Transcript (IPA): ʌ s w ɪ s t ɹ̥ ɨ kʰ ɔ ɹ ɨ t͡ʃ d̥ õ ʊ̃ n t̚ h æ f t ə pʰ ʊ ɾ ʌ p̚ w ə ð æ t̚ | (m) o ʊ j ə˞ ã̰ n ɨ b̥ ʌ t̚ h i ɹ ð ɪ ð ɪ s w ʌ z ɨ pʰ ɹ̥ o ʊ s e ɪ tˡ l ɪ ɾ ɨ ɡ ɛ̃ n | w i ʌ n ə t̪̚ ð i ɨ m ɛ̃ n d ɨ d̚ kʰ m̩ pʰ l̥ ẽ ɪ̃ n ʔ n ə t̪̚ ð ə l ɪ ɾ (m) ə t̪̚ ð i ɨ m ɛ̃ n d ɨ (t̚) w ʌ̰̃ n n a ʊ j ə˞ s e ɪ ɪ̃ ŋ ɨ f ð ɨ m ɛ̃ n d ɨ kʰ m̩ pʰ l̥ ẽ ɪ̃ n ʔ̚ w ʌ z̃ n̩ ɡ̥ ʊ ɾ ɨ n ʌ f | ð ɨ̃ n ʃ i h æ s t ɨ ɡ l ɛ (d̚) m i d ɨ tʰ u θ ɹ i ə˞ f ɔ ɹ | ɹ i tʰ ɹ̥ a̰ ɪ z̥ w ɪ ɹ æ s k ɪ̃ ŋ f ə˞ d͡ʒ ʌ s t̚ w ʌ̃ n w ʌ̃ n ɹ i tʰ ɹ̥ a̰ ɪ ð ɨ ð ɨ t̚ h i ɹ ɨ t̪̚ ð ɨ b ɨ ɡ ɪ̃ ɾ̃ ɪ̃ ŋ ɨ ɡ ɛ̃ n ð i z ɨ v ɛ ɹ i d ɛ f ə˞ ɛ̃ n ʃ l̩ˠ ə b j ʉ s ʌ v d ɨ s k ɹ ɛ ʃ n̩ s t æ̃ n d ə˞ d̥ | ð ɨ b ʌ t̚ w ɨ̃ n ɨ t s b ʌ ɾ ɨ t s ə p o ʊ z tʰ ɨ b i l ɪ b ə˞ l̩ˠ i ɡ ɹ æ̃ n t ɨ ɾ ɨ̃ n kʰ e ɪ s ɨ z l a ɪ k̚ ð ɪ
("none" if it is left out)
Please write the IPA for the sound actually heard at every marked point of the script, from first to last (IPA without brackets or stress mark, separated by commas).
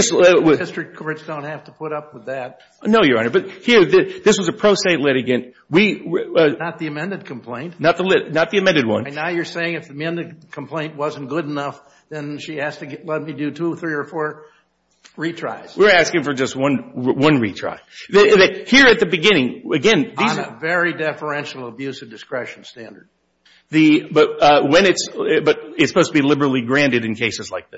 n, n, d̚, t̚